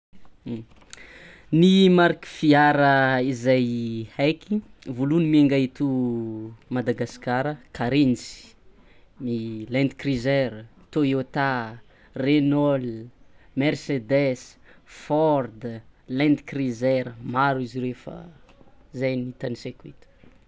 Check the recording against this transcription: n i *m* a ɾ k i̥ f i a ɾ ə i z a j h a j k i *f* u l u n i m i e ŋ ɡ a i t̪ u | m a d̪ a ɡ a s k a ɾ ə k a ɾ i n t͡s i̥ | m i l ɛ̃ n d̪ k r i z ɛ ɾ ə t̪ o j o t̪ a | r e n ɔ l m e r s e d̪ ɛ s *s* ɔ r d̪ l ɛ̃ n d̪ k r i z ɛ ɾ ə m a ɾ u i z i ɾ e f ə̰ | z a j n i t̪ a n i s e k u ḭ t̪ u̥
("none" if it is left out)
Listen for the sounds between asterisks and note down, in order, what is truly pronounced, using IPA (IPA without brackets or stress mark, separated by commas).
m, v, f